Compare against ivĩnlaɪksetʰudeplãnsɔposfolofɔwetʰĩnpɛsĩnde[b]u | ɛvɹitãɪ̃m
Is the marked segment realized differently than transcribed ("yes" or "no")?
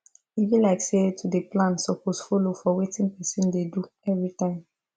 yes